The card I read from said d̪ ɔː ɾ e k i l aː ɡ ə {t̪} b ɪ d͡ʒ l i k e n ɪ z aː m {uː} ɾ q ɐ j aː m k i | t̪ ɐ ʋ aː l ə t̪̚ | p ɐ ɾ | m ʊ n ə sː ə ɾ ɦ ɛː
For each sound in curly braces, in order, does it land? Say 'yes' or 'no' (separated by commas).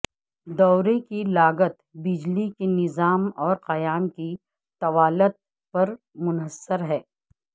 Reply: yes, no